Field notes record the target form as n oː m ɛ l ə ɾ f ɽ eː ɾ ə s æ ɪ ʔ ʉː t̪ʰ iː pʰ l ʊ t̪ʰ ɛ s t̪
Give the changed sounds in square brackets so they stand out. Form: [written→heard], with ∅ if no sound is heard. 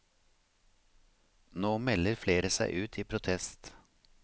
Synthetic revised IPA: n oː m ɛ l ə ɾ f [ɽ→l] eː ɾ ə s æ ɪ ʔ ʉː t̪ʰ iː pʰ [l→ɾ] ʊ t̪ʰ ɛ s t̪